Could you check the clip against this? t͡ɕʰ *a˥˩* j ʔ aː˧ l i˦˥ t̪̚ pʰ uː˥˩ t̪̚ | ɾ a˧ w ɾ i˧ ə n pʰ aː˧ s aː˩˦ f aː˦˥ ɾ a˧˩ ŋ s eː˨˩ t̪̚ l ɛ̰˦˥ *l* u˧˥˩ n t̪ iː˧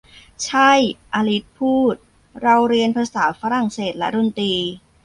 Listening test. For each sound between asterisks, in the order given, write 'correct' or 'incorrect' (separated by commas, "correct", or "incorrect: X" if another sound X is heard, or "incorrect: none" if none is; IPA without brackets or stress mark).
correct, incorrect: ɾ